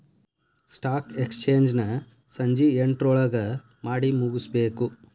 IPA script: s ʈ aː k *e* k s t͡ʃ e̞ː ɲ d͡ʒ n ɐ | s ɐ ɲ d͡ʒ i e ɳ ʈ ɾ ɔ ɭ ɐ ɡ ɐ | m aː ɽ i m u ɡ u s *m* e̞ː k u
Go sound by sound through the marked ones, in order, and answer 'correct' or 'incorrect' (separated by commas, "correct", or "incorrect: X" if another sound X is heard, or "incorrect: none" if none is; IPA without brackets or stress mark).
correct, incorrect: b